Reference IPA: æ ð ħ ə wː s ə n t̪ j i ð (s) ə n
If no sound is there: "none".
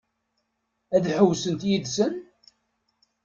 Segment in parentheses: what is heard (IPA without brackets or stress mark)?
s